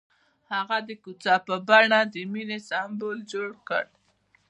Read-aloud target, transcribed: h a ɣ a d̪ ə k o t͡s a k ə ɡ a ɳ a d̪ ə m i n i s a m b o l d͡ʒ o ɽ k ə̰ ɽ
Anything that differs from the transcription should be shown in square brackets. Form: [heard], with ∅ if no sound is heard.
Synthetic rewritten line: h a ɣ a d̪ ə k [u] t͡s a [p] ə [b] a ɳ a d̪ ə m i n [e] s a m b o l d͡ʒ o ɽ k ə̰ ɽ